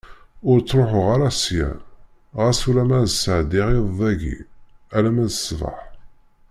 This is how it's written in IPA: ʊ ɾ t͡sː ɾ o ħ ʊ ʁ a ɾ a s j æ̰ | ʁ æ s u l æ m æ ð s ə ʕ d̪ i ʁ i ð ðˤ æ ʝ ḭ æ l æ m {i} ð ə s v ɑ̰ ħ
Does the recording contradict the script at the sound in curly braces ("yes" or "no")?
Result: yes